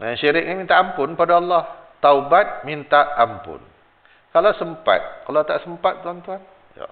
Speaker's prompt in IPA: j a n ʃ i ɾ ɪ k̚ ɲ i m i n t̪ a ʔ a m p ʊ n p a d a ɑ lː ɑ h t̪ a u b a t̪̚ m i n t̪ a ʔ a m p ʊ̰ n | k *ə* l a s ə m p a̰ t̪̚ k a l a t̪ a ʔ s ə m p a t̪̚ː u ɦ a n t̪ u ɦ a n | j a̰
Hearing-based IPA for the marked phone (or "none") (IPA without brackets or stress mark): a